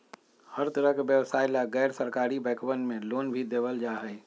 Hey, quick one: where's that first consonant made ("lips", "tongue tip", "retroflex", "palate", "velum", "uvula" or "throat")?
throat